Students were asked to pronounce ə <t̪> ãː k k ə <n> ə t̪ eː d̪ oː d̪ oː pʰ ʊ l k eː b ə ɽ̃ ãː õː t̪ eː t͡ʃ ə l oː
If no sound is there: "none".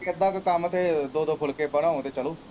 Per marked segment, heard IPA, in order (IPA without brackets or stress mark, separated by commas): d̪, m